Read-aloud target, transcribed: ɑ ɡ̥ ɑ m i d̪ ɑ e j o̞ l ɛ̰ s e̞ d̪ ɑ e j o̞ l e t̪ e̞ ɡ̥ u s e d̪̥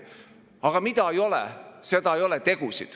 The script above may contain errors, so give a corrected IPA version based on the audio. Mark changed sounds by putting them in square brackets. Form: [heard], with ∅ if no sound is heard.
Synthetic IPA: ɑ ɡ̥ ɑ m i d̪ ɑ e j o̞ l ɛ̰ s e̞ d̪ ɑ e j o̞ l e t̪ e̞ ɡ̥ u s [i] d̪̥